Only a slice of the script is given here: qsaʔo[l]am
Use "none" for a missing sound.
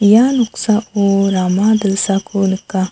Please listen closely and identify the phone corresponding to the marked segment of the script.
ɾ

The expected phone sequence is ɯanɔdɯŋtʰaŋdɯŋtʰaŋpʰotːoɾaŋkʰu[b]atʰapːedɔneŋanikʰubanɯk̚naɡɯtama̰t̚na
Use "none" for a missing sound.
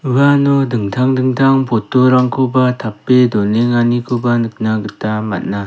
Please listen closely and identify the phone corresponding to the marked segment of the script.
b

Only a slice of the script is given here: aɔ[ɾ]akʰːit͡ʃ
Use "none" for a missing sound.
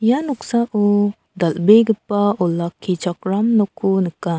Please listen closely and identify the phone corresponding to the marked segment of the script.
l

